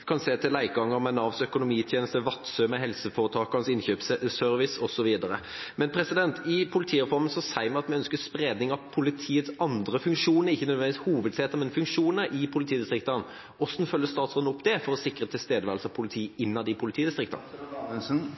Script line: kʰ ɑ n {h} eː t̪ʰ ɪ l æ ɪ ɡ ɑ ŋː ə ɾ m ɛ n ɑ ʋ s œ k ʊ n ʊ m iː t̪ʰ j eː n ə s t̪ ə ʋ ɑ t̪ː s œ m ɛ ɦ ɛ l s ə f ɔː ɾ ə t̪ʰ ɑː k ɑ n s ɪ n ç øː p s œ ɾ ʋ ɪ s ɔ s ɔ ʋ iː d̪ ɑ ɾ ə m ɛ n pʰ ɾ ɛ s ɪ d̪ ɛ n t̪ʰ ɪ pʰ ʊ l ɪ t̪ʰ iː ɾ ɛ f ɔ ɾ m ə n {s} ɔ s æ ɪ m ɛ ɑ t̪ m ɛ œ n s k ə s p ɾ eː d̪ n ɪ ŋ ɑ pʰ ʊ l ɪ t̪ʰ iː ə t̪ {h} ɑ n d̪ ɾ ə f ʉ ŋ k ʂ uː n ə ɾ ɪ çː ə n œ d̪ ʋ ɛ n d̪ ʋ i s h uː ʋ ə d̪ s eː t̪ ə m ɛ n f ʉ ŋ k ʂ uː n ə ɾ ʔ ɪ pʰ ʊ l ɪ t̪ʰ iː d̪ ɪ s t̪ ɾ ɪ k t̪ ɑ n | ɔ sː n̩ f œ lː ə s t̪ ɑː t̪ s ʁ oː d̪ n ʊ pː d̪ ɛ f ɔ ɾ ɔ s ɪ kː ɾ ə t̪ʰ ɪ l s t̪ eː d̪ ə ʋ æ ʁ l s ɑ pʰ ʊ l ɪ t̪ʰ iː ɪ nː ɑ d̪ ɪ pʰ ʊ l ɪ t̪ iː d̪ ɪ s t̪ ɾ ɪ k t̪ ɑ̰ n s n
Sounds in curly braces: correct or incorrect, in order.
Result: incorrect, correct, incorrect

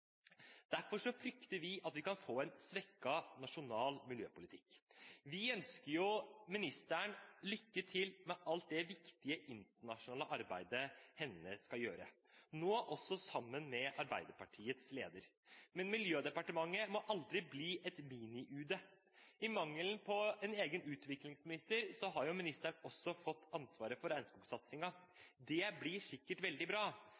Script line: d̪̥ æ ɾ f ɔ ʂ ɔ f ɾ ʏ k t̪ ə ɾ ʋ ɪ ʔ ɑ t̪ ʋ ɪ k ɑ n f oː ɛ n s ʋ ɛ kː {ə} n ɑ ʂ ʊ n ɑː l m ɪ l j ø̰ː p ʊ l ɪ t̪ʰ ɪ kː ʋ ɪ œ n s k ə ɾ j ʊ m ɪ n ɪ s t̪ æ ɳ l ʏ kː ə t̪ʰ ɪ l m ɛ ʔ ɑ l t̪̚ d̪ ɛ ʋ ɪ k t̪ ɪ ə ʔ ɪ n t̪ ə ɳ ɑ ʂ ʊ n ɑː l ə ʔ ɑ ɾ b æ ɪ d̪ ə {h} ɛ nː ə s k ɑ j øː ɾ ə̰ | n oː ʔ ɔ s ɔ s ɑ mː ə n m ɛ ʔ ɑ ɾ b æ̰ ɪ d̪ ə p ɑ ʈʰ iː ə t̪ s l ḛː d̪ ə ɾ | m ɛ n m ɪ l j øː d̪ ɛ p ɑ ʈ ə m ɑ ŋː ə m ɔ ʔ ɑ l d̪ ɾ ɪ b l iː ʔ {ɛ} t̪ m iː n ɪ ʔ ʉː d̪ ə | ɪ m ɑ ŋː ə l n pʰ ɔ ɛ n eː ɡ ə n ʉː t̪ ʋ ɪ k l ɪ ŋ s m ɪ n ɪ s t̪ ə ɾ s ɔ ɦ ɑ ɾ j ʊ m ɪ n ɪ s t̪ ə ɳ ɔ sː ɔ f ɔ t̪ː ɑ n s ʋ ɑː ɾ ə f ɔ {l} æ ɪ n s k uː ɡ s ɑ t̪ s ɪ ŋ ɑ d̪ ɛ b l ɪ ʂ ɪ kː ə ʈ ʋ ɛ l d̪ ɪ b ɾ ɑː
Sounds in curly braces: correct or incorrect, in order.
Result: incorrect, correct, correct, incorrect

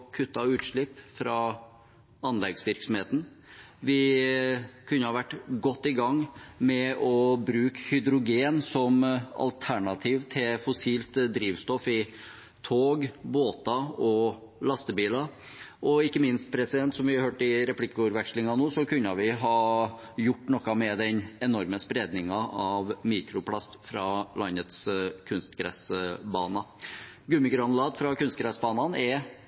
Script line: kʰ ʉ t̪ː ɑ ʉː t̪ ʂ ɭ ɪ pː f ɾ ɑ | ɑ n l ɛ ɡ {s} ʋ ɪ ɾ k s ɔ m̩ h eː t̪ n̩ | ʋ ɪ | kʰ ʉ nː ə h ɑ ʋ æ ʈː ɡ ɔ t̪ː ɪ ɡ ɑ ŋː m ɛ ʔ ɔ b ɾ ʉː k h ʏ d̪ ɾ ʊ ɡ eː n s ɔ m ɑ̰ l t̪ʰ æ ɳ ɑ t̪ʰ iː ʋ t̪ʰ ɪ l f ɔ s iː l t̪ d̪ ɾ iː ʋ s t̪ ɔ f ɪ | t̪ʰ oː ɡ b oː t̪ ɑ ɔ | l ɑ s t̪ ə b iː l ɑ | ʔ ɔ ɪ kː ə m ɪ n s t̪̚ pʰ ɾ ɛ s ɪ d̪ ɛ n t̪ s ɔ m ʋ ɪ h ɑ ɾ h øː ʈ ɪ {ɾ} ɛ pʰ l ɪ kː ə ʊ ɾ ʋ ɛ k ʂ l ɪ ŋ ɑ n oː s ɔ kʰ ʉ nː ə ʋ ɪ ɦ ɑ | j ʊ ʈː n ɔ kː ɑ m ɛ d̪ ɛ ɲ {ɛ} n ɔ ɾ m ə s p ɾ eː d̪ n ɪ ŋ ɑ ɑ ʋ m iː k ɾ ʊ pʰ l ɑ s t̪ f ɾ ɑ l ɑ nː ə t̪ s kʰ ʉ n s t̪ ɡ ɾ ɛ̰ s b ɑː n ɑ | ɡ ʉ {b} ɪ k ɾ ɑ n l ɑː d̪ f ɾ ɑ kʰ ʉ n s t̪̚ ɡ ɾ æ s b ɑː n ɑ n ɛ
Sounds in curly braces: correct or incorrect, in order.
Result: correct, correct, correct, incorrect

